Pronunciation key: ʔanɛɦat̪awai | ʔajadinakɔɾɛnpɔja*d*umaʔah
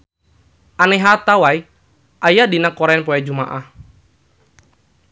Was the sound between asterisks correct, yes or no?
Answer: no